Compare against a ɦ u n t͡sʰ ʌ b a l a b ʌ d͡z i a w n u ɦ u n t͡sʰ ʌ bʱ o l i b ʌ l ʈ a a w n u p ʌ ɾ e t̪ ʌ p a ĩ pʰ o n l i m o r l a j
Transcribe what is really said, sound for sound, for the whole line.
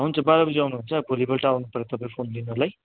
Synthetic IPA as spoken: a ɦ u n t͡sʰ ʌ b a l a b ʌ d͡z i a w n u ɦ u n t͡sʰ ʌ bʱ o l i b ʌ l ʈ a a w n u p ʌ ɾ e t̪ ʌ p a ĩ pʰ o n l i n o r l a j